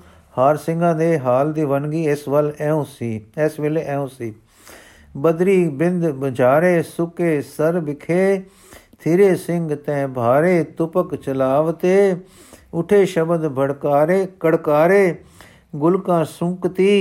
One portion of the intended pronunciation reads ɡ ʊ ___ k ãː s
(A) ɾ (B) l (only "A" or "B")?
B